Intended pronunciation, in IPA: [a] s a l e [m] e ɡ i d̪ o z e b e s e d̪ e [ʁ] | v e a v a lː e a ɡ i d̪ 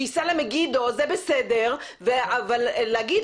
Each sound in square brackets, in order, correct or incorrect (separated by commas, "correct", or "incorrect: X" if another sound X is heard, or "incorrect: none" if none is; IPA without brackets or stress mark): incorrect: i, correct, correct